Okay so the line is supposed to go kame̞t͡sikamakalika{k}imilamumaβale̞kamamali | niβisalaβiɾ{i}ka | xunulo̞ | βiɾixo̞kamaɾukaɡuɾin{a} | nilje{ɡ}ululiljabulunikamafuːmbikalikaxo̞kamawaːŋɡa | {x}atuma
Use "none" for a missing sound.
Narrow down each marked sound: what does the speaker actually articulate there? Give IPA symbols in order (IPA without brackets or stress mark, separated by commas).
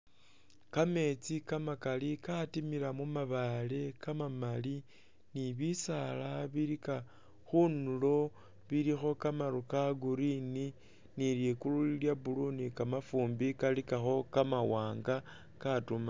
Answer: t, i, i, k, k